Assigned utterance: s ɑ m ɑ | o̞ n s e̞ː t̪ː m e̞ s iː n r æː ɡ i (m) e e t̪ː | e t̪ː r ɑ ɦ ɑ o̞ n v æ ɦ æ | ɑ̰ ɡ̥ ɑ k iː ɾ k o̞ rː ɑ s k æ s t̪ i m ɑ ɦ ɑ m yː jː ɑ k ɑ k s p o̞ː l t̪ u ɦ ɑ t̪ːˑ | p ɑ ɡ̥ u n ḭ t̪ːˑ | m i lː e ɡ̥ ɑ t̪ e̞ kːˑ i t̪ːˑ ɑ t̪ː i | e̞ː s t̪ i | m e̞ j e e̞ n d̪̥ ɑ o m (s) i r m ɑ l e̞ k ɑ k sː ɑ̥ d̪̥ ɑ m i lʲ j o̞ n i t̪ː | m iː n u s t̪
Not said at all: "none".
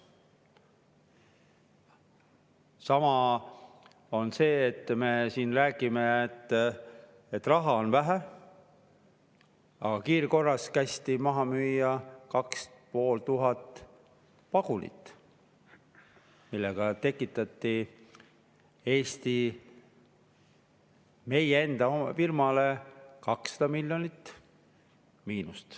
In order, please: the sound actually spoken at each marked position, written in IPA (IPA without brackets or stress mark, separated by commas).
m, f